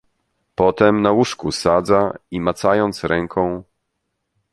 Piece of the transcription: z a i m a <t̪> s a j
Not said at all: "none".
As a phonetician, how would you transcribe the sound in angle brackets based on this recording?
t̪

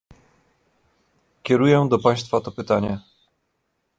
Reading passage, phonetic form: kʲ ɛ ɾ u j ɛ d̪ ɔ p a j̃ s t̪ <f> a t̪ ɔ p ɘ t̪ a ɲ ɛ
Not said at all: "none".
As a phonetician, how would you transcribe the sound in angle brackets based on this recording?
f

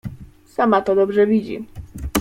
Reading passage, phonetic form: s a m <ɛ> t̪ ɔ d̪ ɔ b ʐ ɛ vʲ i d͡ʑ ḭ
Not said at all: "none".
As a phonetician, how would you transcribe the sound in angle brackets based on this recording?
a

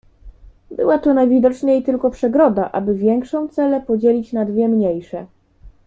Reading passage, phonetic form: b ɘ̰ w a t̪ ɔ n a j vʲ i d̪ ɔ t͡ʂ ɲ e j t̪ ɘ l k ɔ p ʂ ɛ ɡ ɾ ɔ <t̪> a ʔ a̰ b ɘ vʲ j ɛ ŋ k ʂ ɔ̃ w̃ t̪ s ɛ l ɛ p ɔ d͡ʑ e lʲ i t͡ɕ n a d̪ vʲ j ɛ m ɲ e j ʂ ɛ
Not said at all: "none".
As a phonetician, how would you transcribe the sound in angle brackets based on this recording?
d̪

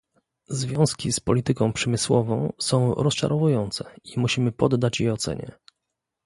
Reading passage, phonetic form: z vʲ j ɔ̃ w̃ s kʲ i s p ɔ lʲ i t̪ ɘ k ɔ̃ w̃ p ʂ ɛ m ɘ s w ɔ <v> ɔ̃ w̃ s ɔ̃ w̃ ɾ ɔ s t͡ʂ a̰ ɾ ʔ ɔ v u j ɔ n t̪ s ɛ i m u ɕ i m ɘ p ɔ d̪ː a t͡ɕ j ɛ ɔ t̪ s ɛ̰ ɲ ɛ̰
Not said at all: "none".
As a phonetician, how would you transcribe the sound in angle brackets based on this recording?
v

